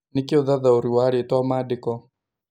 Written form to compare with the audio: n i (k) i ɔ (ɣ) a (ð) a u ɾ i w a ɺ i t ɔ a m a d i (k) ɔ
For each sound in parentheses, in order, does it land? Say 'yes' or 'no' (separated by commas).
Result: yes, no, yes, yes